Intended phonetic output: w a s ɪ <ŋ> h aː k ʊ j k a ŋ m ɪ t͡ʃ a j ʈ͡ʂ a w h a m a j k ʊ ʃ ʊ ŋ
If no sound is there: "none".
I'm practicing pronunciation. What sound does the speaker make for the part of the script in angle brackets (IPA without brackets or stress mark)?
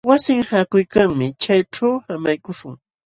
ŋ